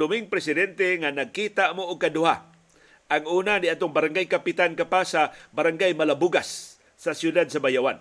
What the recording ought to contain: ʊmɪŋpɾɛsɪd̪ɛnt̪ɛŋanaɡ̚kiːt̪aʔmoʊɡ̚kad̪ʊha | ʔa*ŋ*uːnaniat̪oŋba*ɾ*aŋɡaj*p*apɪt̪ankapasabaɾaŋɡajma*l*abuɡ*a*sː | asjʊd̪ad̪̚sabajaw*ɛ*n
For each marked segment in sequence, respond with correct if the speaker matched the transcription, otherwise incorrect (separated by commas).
correct, correct, incorrect, correct, correct, incorrect